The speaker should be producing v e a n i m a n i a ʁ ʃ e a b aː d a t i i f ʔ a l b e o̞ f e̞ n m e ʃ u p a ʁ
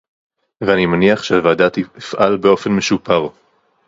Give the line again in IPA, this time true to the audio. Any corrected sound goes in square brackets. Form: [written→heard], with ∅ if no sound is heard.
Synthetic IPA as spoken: v e a n i m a n i a [ʁ→χ] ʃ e a [b→v] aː d a t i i f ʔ a l b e o̞ f e̞ n m e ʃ u p a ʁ